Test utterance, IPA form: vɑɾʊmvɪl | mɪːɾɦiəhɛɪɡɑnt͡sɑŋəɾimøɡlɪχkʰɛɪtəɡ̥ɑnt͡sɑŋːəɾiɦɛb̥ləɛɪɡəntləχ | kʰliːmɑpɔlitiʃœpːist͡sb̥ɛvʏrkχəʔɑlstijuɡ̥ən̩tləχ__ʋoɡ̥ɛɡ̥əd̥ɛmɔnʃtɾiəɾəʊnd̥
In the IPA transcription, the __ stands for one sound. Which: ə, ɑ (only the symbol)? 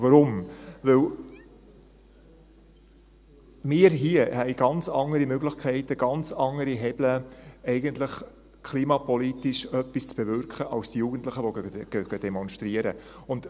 ə